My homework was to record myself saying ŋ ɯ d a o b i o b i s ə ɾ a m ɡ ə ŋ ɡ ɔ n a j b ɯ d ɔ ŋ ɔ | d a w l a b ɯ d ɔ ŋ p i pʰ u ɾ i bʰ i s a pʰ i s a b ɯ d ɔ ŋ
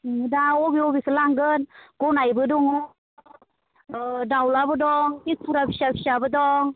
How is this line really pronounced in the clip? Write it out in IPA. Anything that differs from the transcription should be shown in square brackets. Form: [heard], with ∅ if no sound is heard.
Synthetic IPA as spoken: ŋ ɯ d a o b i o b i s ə [l] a [ŋ] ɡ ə [n] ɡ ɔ n a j b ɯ d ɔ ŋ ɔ | d a w l a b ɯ d ɔ ŋ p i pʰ u ɾ [a] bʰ i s a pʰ i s a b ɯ d ɔ ŋ